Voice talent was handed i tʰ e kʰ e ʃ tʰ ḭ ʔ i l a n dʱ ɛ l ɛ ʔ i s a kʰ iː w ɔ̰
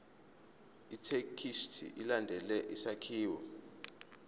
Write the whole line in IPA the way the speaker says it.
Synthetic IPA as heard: i tʰ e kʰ i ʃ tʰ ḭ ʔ i l a n dʱ ɛ l ɛ ʔ i s a kʰ iː w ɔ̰